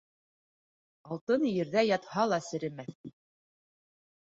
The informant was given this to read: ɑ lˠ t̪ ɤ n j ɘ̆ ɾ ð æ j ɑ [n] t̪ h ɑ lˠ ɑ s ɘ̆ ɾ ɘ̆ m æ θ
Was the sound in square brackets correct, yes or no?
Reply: no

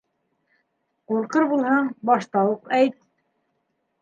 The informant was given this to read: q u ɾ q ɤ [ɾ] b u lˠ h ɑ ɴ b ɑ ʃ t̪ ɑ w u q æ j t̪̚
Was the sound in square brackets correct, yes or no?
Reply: yes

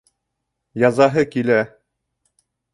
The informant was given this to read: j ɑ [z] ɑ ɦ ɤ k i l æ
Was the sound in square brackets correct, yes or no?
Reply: yes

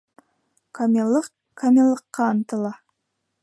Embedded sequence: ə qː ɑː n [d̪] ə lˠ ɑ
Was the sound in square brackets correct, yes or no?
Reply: no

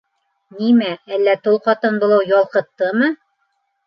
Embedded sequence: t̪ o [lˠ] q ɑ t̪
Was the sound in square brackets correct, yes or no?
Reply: yes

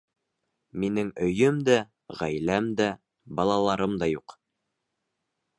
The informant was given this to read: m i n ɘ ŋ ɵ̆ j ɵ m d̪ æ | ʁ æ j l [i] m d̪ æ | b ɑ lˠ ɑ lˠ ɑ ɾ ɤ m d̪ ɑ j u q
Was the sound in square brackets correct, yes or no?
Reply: no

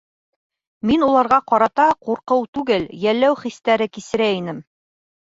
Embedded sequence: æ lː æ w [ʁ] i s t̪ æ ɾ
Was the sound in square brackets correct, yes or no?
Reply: no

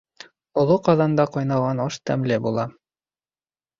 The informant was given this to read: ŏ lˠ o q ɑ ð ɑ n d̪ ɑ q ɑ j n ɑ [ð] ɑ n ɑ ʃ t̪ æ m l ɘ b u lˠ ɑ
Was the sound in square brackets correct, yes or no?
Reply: no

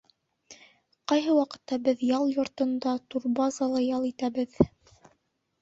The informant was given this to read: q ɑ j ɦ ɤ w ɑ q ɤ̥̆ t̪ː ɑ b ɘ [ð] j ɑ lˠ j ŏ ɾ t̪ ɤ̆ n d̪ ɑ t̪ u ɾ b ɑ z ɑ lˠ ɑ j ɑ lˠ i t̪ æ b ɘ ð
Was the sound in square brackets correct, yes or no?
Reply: yes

